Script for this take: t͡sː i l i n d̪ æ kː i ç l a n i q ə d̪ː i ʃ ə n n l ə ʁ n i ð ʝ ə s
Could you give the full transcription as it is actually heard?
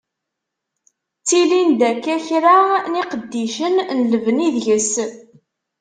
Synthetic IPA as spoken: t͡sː i l i n d̪ æ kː æ ç ɾ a n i q ə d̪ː i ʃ ə n n l ə v n i ð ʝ ə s